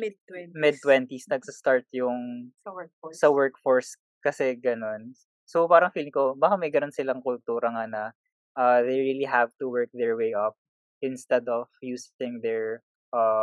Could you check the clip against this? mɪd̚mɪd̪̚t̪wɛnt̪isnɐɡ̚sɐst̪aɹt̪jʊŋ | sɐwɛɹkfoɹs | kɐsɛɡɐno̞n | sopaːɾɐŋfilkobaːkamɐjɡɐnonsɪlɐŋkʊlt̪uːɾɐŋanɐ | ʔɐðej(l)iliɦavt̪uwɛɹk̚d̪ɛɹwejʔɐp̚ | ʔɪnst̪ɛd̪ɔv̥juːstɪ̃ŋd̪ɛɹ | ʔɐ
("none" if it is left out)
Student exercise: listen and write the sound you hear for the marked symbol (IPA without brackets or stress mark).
ɹ